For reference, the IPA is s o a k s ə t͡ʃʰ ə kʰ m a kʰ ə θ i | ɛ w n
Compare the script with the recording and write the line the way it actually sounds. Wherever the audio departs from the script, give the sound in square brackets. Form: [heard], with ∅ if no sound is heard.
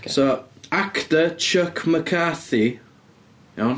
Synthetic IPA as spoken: s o a k [t] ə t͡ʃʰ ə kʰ m [ə] kʰ [a] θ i | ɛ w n